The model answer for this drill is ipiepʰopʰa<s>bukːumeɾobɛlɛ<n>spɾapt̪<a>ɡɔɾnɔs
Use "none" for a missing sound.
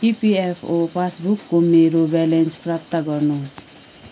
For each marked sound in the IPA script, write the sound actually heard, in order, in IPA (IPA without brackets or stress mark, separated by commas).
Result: s, n, a